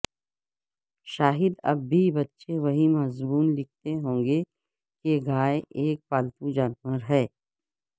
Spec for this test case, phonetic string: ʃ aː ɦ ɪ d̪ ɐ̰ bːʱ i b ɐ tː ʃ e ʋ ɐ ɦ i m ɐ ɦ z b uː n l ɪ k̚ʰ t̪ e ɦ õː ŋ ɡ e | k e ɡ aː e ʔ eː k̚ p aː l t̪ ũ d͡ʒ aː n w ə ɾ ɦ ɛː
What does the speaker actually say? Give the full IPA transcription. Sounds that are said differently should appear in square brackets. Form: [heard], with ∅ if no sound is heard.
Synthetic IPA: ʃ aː ɦ ɪ d̪ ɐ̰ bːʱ i b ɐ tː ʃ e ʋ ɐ ɦ i m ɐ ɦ z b uː n l ɪ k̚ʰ t̪ e ɦ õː ŋ ɡ e | k e ɡ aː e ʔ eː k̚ p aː l t̪ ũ d͡ʒ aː n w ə ɾ ɦ ɛː